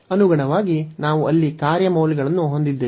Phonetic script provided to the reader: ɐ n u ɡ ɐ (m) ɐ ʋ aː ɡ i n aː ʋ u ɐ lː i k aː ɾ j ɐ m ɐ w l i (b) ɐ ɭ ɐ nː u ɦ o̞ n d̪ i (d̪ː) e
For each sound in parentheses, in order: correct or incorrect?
incorrect: ɳ, incorrect: ɡ, correct

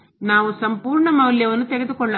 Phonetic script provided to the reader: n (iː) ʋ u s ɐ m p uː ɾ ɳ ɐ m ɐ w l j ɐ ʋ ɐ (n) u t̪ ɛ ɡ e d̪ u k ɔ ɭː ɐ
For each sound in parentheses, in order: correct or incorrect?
incorrect: aː, incorrect: nː

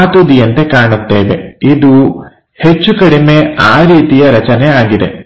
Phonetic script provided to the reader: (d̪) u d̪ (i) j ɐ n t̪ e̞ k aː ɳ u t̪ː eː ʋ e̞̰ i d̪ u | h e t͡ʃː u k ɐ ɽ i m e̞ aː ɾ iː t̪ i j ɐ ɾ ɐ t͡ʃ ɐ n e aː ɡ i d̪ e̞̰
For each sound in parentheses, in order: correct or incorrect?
incorrect: t̪, correct

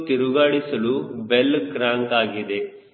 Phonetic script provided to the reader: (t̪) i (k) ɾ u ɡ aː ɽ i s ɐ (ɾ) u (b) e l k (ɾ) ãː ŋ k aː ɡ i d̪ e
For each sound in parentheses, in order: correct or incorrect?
correct, incorrect: none, incorrect: l, correct, correct

